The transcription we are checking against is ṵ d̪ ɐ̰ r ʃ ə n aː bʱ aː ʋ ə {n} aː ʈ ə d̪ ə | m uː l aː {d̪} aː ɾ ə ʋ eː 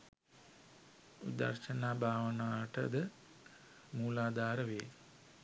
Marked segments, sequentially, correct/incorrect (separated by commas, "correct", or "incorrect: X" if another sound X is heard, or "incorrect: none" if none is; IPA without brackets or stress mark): correct, correct